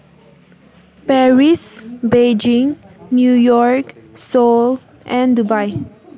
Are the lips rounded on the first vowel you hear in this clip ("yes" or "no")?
no